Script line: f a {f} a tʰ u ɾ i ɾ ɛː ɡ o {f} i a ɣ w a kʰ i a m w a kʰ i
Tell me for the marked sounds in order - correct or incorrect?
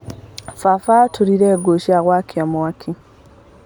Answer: correct, incorrect

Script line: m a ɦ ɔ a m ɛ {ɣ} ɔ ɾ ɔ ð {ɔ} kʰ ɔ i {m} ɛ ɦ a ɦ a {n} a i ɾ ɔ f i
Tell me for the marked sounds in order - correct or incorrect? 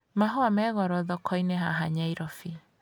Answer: correct, correct, incorrect, incorrect

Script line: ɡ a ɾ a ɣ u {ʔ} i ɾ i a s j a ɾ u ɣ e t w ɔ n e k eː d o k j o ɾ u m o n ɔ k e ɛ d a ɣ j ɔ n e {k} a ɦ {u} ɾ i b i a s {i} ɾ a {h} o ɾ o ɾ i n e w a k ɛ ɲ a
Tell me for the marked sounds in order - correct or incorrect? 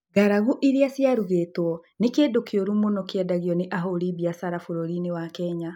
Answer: correct, incorrect, incorrect, incorrect, incorrect

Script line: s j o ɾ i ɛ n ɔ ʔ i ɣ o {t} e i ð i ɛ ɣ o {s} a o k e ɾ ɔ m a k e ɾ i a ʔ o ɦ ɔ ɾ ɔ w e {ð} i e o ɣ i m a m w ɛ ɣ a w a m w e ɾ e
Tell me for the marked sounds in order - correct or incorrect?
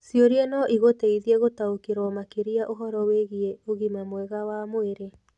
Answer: correct, incorrect, incorrect

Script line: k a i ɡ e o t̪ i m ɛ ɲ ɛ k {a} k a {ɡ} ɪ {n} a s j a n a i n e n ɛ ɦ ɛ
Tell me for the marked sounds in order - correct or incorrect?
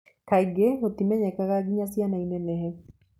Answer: correct, correct, incorrect

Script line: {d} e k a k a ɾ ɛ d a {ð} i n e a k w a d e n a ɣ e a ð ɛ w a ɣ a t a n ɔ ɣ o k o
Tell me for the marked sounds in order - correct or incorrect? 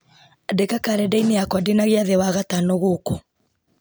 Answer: correct, incorrect

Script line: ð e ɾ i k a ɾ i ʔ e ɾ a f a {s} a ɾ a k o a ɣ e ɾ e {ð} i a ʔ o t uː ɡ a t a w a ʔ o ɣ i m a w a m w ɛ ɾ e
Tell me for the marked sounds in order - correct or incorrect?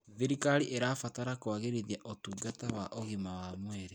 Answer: incorrect, correct

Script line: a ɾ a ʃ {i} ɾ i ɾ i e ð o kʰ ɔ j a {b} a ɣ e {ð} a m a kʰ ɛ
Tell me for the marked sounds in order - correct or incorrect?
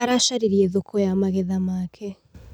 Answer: incorrect, incorrect, correct

